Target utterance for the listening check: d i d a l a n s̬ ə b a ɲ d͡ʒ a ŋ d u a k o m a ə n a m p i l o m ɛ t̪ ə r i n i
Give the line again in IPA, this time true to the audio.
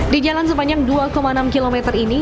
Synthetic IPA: d i d͡ʒ a l a n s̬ ə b a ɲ d͡ʒ a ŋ d u a k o m a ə n a m k i l o m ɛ t̪ ə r i n i